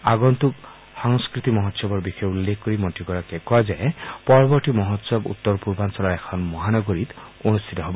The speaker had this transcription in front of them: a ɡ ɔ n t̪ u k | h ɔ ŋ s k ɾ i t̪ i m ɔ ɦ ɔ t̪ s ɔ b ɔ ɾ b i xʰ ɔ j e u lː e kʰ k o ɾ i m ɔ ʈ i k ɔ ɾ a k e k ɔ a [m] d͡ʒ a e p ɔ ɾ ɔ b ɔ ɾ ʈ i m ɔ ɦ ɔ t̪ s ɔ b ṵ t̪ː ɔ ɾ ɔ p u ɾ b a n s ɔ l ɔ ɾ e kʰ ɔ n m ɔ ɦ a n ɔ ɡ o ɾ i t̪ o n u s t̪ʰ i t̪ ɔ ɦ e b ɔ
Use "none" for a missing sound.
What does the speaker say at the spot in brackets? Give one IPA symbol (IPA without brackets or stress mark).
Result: none